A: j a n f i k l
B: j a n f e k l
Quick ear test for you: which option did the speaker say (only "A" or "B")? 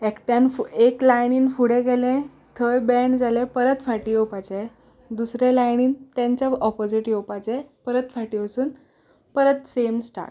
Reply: B